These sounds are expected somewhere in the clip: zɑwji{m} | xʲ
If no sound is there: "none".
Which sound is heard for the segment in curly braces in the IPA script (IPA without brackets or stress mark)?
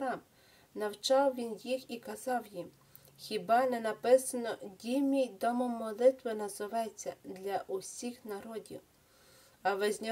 m